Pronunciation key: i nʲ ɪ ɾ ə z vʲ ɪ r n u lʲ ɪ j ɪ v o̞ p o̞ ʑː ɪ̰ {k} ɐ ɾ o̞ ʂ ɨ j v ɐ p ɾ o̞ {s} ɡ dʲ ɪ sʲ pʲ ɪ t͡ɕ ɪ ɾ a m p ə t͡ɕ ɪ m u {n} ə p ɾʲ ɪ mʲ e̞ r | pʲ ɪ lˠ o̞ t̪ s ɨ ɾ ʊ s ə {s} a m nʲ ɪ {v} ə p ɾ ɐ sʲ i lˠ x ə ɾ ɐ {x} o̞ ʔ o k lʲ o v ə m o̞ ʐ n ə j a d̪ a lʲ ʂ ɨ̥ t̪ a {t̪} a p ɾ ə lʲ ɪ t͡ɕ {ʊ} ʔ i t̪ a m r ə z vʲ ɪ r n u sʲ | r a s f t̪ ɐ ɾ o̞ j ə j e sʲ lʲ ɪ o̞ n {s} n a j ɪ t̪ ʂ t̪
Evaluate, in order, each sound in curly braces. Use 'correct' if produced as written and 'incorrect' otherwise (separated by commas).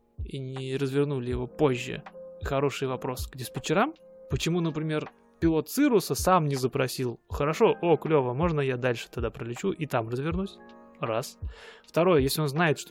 incorrect, correct, correct, correct, incorrect, incorrect, incorrect, incorrect, incorrect